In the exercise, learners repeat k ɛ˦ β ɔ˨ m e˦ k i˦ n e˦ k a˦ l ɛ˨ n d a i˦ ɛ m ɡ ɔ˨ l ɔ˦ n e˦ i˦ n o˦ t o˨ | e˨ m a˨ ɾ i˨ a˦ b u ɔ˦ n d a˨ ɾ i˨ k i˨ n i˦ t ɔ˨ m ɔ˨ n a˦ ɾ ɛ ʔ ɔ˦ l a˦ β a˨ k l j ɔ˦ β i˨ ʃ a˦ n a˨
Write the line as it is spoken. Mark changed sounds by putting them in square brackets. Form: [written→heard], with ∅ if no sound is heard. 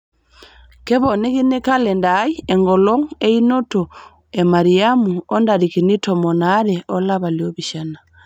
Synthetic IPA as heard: k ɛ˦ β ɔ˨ [m→n] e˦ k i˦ n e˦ k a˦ l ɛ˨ n d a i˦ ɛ [m→ŋ] ɡ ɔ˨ l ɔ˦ [n→ŋ] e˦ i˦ n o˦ t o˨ | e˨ m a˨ ɾ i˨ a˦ [b→m] u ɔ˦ n d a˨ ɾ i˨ k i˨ n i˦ t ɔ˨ m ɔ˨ n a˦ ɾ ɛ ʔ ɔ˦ l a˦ β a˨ [k→∅] l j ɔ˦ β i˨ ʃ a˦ n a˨